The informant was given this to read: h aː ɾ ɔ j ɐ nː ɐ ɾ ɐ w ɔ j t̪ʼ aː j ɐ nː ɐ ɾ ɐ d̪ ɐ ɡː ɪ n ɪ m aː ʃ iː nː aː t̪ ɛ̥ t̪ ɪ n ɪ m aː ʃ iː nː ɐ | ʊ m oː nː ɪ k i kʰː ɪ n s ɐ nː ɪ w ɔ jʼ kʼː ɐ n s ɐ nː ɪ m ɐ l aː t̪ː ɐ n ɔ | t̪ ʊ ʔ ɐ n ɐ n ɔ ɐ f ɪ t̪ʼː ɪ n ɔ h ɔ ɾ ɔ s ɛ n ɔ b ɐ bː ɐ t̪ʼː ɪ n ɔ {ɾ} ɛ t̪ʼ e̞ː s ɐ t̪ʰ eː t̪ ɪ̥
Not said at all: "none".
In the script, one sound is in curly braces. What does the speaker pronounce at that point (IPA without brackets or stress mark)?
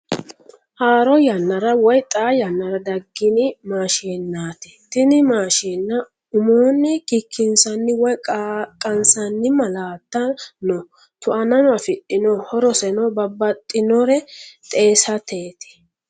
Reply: ɾ